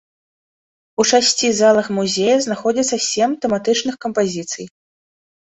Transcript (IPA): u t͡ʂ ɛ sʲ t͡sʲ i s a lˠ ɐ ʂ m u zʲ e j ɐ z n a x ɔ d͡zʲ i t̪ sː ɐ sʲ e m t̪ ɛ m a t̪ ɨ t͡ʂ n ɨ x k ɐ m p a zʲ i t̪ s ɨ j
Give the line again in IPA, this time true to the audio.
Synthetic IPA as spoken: u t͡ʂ a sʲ t͡sʲ i z a lˠ ɐ x m u zʲ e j ɐ z n a x ɔ d͡zʲ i t̪ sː ɐ sʲ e m t̪ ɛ m a t̪ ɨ t͡ʂ n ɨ x k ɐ m p a zʲ i t̪ s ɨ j